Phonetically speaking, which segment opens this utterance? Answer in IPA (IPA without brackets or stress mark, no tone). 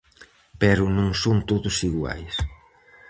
p